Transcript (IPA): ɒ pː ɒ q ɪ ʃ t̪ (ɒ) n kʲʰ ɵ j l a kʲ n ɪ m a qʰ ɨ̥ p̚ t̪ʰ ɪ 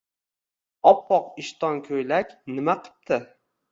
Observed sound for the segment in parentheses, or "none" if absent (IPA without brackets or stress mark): ɒ